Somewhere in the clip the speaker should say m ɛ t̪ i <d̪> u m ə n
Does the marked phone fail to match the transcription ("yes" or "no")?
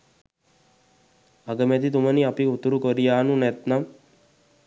yes